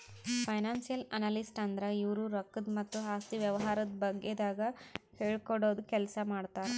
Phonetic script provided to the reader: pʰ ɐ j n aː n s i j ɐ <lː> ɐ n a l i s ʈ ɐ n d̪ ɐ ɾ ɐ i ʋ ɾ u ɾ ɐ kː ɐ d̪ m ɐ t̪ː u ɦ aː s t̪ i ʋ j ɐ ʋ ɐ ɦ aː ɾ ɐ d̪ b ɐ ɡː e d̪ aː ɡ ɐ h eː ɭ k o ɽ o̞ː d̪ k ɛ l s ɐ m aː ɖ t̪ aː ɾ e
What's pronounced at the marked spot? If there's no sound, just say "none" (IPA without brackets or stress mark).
l